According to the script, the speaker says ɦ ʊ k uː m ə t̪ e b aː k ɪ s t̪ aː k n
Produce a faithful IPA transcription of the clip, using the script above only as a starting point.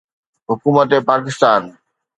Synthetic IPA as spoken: ɦ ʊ k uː m ə t̪ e p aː k ɪ s t̪ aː n